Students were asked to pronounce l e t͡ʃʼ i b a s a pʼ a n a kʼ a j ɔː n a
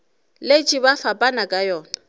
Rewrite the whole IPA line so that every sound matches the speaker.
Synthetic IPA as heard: l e t͡ʃʼ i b a f a pʼ a n a kʼ a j ɔː n a